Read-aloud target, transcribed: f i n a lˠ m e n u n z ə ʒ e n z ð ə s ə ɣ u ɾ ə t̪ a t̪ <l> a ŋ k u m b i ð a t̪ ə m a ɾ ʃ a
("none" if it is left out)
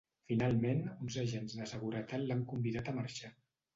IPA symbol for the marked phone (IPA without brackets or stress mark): l